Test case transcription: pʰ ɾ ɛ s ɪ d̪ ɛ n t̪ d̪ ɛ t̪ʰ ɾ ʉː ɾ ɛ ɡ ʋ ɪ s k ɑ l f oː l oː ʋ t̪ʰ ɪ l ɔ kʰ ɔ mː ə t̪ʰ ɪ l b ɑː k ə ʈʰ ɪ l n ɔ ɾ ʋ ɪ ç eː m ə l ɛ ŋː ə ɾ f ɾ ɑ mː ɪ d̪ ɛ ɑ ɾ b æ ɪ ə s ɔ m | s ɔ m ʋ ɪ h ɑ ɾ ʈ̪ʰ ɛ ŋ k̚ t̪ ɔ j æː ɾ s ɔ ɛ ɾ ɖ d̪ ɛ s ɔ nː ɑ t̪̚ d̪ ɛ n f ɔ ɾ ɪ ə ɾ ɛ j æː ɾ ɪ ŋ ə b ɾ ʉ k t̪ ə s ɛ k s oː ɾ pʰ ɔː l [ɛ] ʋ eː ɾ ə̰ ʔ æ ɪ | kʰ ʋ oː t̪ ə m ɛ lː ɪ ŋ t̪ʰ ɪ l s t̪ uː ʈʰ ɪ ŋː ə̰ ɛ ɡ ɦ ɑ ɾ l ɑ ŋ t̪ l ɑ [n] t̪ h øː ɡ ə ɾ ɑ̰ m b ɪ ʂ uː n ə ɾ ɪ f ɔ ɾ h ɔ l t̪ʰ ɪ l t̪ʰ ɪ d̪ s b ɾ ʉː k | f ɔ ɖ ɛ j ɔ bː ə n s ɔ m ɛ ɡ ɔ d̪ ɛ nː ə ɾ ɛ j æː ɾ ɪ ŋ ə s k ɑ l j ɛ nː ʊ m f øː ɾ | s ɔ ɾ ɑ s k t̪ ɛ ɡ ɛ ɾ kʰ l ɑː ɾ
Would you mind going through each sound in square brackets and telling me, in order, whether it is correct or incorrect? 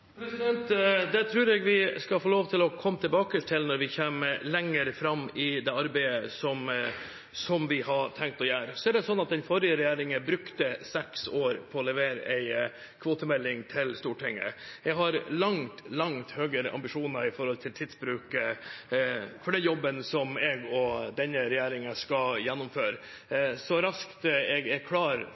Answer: correct, incorrect: ŋ

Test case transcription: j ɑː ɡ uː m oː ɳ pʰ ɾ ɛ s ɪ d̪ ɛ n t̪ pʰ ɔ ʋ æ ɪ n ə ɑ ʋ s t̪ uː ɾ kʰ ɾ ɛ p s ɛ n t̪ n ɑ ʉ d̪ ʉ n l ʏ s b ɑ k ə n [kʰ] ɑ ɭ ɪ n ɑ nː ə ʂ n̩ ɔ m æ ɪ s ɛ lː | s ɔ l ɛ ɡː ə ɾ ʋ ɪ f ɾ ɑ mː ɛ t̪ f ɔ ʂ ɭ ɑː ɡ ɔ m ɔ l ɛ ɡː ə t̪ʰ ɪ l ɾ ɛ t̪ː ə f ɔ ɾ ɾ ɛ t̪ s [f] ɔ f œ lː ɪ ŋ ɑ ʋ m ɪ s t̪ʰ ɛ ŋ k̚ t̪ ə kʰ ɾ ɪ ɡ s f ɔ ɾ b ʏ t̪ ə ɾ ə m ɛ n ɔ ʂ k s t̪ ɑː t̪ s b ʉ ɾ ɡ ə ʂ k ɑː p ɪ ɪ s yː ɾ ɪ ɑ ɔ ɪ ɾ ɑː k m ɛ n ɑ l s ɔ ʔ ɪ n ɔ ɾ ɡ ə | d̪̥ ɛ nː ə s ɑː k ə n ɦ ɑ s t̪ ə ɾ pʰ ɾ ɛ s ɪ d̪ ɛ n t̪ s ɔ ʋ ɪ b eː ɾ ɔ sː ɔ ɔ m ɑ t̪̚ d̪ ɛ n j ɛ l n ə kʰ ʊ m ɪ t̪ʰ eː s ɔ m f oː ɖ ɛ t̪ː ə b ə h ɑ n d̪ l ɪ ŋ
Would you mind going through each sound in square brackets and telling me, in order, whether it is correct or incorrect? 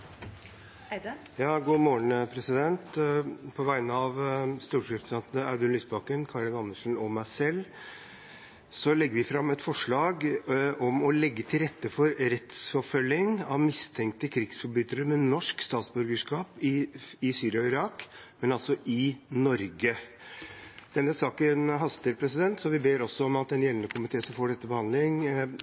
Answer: correct, correct

